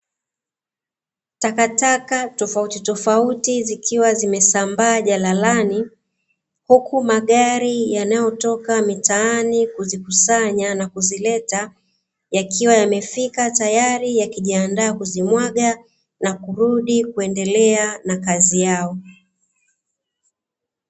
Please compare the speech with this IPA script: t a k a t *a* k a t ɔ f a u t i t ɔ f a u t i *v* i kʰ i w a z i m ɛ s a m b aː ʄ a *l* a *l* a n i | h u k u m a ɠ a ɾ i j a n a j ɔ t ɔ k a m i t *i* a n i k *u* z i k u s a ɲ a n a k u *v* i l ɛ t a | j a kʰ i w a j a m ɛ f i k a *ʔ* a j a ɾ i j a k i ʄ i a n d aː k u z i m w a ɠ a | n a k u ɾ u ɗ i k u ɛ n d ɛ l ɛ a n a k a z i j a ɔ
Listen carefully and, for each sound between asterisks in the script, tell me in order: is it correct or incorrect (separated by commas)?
correct, incorrect, correct, correct, incorrect, correct, incorrect, incorrect